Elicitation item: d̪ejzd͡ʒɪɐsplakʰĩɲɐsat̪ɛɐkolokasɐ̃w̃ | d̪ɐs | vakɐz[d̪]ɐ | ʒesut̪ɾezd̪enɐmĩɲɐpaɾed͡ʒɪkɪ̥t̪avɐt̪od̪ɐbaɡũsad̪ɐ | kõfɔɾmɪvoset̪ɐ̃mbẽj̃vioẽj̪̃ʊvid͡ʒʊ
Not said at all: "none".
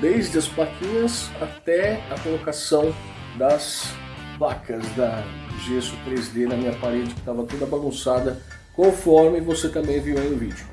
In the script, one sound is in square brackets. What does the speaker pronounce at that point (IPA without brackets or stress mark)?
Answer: d̪